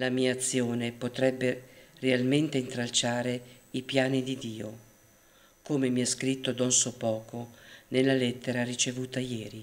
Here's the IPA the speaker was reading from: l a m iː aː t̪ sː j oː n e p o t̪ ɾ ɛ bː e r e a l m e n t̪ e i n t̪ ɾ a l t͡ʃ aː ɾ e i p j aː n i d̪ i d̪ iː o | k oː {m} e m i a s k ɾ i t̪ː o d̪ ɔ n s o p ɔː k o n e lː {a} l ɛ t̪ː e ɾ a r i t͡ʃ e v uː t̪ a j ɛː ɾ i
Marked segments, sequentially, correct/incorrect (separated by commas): correct, correct